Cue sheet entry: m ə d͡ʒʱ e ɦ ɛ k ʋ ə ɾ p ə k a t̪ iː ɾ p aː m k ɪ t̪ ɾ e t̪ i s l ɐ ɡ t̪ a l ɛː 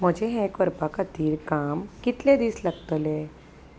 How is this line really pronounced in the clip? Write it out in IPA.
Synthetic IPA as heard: m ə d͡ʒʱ e ɦ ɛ k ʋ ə ɾ p a k a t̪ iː ɾ k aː m k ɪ t̪ l e d̪ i s l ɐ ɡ t̪ ə l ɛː

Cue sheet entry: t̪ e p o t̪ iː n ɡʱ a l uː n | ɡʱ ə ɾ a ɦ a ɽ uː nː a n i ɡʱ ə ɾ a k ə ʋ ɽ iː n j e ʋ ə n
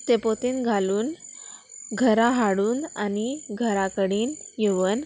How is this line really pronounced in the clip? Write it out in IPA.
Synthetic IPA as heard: t̪ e p o t̪ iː n ɡʱ a l uː n | ɡʱ ə ɾ a ɦ a ɽ uː n a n i ɡʱ ə ɾ a k ə ɽ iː n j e ʋ ə n

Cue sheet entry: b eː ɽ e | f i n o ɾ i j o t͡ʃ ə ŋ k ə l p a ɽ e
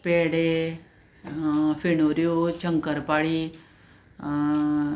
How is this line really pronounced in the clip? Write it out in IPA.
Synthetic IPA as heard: p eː ɽ e | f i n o ɾ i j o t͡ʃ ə ŋ k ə ɾ p a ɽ i

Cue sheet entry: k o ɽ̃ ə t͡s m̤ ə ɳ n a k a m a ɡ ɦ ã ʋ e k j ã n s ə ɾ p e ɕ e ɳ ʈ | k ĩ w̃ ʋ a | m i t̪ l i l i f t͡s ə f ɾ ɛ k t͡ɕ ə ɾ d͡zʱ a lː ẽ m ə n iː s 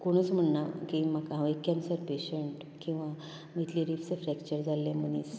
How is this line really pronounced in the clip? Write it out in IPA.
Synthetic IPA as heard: k o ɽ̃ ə t͡s m̤ ə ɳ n a k i m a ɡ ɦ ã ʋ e k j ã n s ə ɾ p e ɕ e ɳ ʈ | k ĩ w̃ ʋ a | m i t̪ l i ɾ i f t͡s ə f ɾ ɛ k t͡ɕ ə ɾ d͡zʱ a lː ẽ m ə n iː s

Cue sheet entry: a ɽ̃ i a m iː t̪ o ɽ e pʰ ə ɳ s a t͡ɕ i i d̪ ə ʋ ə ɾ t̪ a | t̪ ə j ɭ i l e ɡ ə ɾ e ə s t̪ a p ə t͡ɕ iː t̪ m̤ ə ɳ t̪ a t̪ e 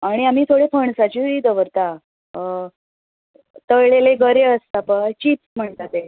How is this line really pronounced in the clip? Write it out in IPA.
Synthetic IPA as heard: a ɽ̃ i a m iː t̪ʰ o ɽ e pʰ ə ɳ s a t͡ɕ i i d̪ ə ʋ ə ɾ t̪ a | t̪ ə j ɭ e l e ɡ ə ɾ e ə s t̪ a p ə t͡ɕ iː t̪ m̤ ə ɳ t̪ a t̪ e

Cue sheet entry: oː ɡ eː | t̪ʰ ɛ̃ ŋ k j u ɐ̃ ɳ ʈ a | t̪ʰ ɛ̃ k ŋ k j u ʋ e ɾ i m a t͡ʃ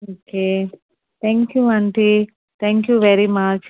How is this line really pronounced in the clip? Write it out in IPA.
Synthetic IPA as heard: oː k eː | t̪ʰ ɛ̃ ŋ k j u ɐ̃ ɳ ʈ i | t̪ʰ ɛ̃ ŋ k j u ʋ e ɾ i m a t͡ʃ

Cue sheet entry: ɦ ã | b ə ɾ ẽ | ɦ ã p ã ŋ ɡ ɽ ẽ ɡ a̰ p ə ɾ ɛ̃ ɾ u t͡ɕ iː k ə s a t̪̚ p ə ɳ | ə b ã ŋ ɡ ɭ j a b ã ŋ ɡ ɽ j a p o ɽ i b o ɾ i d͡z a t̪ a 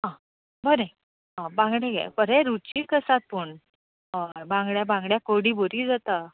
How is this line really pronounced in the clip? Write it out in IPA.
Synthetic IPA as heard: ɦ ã | b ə ɾ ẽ | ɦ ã b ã ŋ ɡ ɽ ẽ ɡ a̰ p ə ɾ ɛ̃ ɾ u t͡ɕ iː k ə s a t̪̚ p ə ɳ | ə b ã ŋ ɡ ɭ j a b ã ŋ ɡ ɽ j a k o ɽ i b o ɾ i d͡z a t̪ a

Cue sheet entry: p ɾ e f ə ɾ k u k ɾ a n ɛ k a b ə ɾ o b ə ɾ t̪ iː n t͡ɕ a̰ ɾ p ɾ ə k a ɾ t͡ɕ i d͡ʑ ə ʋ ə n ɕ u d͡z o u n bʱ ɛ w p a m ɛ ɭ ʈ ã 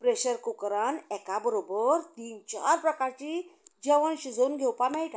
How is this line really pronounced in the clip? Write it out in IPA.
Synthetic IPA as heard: p ɾ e ɕ ə ɾ k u k ɾ a n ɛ k a b ə ɾ o b ə ɾ t̪ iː n t͡ɕ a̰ ɾ p ɾ ə k a ɾ t͡ɕ i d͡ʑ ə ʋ ə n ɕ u d͡z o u n ɡʱ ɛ w p a m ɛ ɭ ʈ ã

